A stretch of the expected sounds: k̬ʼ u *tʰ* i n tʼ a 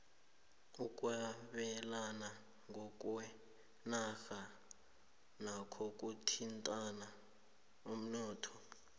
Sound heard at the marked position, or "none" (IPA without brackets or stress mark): tʰ